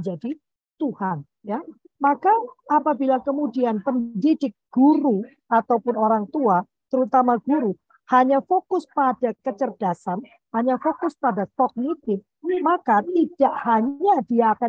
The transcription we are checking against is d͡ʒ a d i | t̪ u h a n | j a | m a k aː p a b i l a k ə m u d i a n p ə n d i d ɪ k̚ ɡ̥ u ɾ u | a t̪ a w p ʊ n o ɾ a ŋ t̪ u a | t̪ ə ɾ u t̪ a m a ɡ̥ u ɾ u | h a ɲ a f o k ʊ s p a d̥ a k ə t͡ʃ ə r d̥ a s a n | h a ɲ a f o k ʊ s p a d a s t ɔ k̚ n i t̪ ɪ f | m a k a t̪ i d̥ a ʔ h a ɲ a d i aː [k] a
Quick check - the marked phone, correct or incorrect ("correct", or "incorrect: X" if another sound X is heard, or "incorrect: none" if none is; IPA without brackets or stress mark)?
correct